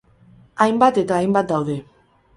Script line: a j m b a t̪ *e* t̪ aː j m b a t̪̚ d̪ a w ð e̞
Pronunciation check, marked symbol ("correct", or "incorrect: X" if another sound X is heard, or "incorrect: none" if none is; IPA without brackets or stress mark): correct